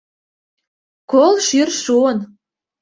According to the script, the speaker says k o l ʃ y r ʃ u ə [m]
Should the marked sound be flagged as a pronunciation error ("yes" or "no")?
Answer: yes